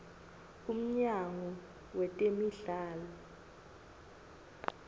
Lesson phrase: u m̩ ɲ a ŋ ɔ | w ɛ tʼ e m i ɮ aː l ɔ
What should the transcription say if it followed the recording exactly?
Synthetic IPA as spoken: u m̩ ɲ a ŋ ɔ | w ɛ tʼ e m i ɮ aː l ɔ